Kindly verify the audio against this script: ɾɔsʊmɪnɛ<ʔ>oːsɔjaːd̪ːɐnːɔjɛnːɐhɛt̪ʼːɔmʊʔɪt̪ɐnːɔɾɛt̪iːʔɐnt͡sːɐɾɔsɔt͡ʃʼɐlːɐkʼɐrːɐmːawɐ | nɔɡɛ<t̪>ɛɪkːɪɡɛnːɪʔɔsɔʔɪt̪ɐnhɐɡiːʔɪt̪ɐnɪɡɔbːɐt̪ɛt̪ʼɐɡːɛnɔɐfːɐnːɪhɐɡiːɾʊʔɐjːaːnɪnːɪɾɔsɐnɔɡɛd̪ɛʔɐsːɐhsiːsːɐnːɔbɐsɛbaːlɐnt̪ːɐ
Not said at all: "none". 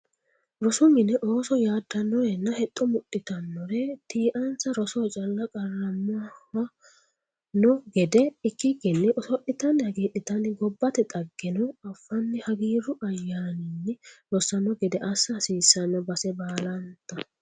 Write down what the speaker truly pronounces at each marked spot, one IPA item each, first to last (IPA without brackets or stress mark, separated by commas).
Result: ʔ, d̪